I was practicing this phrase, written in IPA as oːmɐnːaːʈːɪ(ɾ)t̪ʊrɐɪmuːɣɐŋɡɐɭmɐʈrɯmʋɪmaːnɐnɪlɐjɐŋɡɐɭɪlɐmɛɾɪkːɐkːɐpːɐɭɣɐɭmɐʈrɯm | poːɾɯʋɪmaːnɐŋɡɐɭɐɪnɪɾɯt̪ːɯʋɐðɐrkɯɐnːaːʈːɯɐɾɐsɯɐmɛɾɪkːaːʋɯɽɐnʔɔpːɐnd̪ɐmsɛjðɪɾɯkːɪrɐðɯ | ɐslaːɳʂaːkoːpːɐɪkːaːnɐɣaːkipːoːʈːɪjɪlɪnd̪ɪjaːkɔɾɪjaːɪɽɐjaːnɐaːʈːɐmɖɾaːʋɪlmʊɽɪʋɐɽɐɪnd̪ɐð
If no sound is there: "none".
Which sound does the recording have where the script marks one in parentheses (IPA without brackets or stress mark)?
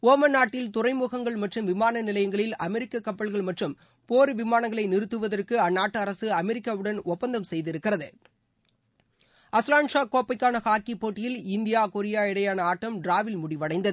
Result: l